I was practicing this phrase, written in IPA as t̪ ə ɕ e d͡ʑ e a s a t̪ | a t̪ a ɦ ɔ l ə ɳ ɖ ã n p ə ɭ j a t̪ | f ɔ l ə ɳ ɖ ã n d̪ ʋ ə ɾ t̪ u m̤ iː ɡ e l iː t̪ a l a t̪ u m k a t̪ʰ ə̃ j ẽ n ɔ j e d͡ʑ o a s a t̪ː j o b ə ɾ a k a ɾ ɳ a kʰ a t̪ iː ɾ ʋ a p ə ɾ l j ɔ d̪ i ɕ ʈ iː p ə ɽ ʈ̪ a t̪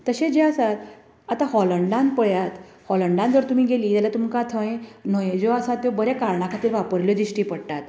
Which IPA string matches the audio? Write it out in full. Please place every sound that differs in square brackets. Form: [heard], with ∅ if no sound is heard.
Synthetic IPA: t̪ ə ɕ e d͡ʑ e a s a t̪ | a t̪ a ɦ ɔ l ə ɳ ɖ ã n p ə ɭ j a t̪ | [h] ɔ l ə ɳ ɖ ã n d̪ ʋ ə ɾ t̪ u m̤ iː ɡ e l iː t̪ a l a t̪ u m k a t̪ʰ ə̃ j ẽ n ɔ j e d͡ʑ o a s a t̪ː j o b ə ɾ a k a ɾ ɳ a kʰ a t̪ iː ɾ ʋ a p ə ɾ l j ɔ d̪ i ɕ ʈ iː p ə ɽ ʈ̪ a t̪